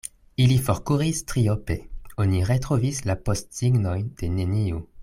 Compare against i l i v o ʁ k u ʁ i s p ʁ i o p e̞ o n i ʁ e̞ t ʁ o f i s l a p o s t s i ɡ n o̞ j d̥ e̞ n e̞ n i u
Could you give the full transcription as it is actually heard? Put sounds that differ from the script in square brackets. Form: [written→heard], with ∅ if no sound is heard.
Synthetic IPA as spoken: i l i [v→f] o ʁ k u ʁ i s [p→t] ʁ i o p e̞ o n i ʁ e̞ t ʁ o [f→v] i s l a p o s t s i ɡ n o̞ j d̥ e̞ n e̞ n i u